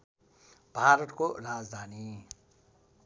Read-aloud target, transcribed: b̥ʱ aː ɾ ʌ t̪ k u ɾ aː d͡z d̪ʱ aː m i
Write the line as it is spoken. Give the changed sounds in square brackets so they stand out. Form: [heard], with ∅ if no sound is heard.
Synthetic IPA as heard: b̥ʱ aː ɾ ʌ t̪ k [o] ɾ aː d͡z d̪ʱ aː [n] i

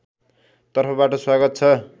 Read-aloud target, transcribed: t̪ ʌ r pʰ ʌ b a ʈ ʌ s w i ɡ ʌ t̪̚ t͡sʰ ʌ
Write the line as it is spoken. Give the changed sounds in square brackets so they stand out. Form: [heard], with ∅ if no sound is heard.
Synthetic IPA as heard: t̪ ʌ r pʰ ʌ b a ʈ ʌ s w [a] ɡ ʌ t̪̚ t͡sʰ ʌ

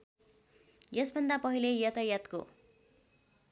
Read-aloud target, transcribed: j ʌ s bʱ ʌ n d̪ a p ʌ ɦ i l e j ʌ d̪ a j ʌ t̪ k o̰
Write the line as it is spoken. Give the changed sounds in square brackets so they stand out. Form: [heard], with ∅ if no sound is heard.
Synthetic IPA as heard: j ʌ s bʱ ʌ n d̪ a p ʌ ɦ i l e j ʌ [t̪] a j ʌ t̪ k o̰

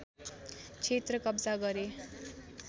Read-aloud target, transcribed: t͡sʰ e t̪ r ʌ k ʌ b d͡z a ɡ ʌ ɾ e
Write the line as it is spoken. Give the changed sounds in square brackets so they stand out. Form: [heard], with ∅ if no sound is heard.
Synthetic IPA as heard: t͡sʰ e t̪ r ʌ k ʌ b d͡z a ɡ ʌ ɾ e

